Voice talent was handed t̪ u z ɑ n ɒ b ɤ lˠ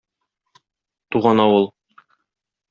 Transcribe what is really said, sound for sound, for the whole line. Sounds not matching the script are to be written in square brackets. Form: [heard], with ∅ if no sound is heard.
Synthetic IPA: t̪ u [ʁ] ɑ n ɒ [w] ɤ lˠ